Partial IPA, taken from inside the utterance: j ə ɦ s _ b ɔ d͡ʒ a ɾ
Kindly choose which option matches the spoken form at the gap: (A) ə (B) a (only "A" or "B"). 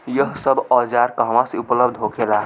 A